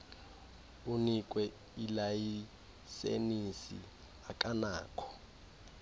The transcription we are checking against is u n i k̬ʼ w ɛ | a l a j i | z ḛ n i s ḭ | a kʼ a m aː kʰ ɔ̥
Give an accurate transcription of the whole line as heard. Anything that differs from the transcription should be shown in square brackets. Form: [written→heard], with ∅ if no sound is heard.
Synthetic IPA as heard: u n i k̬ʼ w ɛ | [a→i] l a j i | [z→s] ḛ n i s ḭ | a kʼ a [m→n] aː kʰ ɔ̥